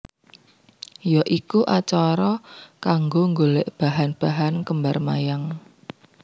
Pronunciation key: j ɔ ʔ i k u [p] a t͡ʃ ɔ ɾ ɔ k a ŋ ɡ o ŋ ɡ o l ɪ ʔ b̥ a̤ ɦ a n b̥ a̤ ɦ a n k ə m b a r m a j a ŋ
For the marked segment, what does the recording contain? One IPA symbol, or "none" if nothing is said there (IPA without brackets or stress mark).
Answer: ʔ